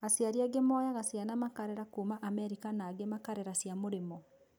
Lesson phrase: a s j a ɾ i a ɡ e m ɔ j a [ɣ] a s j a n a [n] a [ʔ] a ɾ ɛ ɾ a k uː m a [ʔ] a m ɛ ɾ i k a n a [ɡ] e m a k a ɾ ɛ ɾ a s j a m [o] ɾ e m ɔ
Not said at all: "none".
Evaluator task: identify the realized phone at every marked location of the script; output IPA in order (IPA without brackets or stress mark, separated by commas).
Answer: ɣ, m, k, ʔ, ɡ, o